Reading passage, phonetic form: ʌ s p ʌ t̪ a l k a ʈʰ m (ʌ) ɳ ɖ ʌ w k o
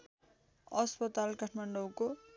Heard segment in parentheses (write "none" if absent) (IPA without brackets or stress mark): a